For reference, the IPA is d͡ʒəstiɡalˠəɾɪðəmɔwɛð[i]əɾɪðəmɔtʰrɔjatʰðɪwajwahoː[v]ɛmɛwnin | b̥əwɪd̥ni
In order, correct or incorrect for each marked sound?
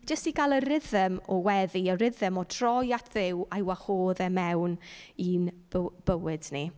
correct, incorrect: ð

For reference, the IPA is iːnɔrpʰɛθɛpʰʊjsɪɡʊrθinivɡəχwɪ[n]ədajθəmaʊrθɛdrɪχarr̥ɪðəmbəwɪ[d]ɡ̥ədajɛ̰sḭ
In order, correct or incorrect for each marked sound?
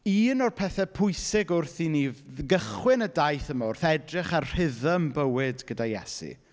correct, correct

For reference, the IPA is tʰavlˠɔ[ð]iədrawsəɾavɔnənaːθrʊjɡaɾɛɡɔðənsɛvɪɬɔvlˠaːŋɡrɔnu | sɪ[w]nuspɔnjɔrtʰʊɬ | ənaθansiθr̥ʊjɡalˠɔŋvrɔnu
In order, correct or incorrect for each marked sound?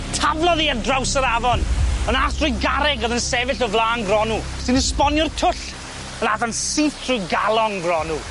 correct, incorrect: none

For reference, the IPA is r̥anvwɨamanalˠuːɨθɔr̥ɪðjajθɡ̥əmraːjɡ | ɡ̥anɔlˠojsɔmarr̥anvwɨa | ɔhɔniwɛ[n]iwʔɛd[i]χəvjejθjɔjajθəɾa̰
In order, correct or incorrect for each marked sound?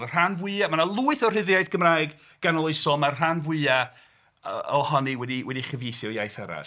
incorrect: d, correct

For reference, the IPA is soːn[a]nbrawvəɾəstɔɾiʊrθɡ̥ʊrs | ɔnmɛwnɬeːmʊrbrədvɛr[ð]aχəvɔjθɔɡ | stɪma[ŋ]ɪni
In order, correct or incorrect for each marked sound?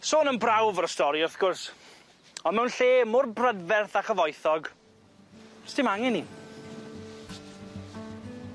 incorrect: ə, incorrect: θ, correct

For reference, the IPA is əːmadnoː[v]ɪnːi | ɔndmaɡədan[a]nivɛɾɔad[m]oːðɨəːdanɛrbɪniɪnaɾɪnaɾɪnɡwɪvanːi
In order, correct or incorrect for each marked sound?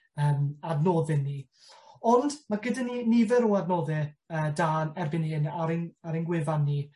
incorrect: ð, incorrect: i, incorrect: n

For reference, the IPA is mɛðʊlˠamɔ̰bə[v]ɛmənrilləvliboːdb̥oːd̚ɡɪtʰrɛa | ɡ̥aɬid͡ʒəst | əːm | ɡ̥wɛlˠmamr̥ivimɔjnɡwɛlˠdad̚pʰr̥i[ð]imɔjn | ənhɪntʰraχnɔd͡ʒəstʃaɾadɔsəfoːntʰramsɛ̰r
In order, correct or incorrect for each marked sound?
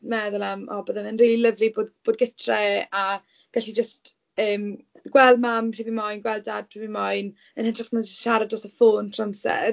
incorrect: ð, incorrect: v

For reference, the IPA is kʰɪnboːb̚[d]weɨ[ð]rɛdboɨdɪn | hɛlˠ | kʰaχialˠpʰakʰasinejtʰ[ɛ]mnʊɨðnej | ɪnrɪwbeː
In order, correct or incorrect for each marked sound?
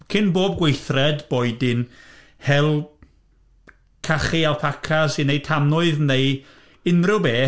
incorrect: ɡ, incorrect: θ, incorrect: a

